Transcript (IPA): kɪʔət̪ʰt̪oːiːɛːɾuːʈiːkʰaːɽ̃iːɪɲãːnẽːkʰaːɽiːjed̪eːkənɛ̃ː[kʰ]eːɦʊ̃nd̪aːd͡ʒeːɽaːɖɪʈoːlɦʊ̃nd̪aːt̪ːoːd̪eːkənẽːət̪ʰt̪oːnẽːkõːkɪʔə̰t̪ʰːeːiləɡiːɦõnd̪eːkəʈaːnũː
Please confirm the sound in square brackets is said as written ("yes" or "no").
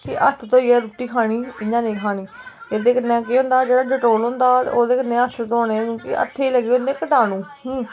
no